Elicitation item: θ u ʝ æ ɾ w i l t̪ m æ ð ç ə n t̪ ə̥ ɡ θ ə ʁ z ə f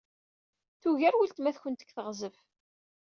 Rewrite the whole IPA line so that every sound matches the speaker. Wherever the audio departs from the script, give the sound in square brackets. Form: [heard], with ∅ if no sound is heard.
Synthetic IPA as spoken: θ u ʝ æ ɾ w i l t̪ m æ [θ] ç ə n t̪ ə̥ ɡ θ ə ʁ z ə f